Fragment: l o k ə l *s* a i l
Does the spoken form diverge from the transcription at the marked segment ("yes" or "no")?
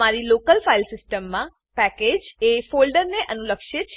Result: yes